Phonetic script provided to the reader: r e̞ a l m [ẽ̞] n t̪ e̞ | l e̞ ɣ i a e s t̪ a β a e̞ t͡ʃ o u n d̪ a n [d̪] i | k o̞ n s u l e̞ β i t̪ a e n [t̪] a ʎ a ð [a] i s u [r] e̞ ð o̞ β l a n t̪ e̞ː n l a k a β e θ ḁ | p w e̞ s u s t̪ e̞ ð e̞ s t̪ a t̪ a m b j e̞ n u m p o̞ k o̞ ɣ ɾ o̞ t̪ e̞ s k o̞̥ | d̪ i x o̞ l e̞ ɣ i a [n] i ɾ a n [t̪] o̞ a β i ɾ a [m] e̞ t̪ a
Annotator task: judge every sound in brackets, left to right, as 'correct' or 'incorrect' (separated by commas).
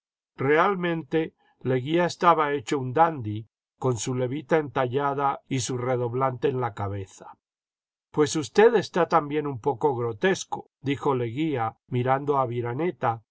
correct, correct, correct, correct, correct, incorrect, incorrect, incorrect